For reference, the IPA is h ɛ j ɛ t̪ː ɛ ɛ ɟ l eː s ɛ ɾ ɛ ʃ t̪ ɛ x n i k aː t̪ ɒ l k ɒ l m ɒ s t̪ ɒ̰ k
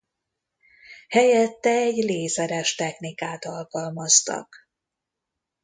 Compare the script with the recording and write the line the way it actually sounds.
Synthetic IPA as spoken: h ɛ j ɛ t̪ː ɛ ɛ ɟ l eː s ɛ ɾ ɛ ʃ t̪ ɛ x n i k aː t̪ ɒ l k ɒ l m ɒ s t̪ ɒ̰ k